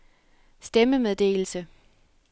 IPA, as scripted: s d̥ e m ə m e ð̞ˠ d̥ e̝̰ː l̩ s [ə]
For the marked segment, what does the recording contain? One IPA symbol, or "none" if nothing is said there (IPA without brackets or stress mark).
ə